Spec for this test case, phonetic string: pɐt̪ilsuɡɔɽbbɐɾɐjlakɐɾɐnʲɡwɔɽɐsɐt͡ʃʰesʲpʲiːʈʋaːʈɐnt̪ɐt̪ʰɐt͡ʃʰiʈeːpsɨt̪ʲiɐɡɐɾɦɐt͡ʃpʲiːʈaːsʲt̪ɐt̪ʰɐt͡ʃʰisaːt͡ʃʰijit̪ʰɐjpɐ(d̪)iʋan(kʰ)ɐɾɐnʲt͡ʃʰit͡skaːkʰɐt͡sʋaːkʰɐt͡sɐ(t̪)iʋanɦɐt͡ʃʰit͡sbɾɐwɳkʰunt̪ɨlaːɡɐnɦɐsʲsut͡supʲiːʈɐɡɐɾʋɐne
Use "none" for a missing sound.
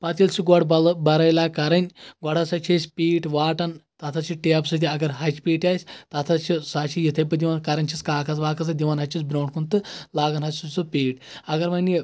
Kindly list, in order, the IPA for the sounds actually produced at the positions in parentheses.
d̪, k, d̪

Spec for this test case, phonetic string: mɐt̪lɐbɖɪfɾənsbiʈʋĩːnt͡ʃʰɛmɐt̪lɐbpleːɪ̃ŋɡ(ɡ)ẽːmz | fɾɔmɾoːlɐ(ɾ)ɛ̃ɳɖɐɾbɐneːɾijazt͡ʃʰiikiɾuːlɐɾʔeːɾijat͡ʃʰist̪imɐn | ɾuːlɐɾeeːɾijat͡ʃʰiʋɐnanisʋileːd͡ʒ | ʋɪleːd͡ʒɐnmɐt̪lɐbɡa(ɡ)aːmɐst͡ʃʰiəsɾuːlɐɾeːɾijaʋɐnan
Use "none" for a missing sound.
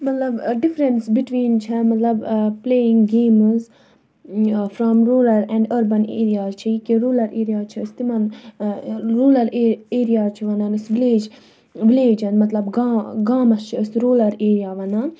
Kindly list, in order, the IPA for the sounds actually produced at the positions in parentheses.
ɡ, ɾ, ɡ

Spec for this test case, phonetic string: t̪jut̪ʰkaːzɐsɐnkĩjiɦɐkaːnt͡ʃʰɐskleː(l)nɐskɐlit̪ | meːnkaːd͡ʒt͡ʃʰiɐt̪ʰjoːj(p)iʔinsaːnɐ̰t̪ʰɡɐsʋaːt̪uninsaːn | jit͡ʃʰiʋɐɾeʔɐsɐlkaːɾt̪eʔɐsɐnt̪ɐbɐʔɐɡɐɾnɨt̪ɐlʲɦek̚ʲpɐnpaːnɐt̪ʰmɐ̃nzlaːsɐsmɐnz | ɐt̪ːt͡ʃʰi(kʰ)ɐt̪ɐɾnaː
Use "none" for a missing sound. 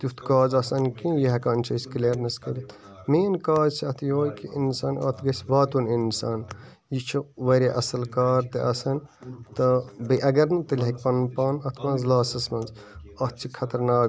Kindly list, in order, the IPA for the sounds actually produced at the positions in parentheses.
ɾ, k, kʰ

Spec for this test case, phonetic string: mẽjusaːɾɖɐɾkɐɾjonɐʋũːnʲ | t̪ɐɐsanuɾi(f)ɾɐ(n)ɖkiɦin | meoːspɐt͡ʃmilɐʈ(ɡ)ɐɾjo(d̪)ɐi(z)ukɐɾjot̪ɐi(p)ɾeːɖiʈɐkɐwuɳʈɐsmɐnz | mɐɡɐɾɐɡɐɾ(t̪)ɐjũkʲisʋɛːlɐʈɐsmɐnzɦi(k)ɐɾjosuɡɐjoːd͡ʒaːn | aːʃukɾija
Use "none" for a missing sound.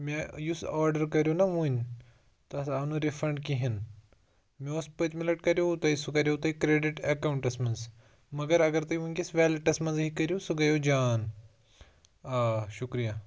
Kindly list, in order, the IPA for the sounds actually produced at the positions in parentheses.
f, ɳ, k, t̪, s, k, t̪, k

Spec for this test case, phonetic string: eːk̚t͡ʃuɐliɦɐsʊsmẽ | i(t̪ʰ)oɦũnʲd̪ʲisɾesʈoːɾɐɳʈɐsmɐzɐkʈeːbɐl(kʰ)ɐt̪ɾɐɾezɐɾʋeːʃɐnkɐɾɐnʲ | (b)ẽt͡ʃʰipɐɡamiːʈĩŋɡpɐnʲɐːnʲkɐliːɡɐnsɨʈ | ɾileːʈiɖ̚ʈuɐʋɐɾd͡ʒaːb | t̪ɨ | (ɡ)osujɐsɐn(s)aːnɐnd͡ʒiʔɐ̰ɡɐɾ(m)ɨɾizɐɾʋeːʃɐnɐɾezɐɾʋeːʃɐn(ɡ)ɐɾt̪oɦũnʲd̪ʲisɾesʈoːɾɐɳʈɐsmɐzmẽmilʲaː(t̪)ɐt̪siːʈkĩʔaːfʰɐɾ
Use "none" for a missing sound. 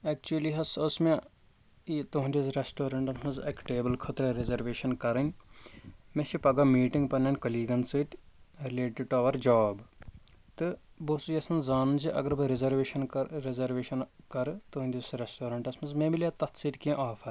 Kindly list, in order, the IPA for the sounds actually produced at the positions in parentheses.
t̪, kʰ, m, b, z, b, k, t̪

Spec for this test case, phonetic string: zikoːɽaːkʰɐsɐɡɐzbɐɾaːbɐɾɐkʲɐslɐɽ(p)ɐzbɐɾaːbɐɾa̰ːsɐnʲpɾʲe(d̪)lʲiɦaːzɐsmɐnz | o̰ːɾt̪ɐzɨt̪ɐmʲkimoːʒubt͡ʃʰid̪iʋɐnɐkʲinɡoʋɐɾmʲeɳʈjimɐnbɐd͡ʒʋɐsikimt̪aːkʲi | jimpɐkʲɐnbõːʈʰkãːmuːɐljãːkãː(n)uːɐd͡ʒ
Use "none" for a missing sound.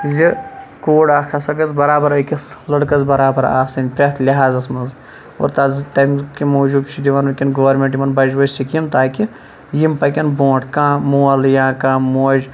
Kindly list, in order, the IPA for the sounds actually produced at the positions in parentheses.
k, t̪, m

